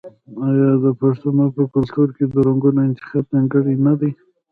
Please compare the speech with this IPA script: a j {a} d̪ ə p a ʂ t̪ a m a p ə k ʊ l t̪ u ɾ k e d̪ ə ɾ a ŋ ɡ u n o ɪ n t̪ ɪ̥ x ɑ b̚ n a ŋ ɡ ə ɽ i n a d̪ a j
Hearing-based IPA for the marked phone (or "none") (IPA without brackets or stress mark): ɑ